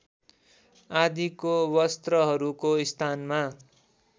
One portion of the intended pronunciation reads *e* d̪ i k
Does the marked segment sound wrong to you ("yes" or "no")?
yes